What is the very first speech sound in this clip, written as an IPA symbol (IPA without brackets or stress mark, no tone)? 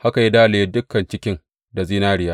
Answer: h